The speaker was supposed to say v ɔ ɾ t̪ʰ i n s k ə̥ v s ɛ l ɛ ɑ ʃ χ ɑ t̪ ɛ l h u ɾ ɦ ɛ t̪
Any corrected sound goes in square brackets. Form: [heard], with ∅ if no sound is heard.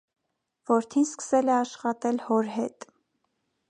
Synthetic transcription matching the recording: v ɔ ɾ t̪ʰ i n s k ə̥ [∅] s ɛ l ɛ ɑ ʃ χ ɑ t̪ ɛ l h [ɔ] ɾ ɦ ɛ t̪